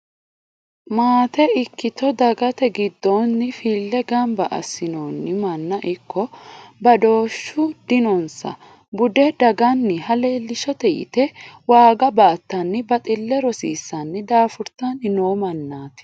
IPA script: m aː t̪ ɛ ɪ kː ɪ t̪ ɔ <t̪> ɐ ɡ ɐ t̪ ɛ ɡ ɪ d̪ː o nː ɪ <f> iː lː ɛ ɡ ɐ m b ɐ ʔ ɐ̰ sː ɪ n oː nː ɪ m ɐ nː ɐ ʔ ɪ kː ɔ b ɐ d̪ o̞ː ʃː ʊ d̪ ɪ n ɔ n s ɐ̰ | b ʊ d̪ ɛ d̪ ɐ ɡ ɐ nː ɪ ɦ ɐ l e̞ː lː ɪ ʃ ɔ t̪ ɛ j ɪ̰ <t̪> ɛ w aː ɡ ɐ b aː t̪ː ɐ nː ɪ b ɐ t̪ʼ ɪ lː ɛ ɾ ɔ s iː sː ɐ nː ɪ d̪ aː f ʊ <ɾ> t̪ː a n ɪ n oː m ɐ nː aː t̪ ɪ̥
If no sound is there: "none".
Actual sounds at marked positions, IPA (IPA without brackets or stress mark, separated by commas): d̪, f, t̪, ɾ